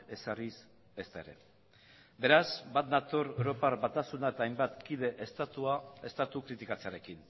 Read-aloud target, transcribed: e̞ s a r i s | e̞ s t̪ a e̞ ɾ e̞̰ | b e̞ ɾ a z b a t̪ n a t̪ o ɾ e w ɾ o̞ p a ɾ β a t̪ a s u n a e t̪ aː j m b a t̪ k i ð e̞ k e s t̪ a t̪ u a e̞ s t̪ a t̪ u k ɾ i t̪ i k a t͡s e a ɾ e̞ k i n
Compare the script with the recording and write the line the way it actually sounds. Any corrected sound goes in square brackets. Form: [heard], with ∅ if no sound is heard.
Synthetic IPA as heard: e̞ s a r i s | e̞ s t̪ a e̞ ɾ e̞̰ | b e̞ ɾ a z b a t̪ n a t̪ o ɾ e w ɾ o̞ p a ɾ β a t̪ a s u n a e t̪ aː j m b a t̪ k i ð e̞ [ʔ] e s t̪ a t̪ u a e̞ s t̪ a t̪ u k ɾ i t̪ i k a t͡s e a ɾ e̞ k i n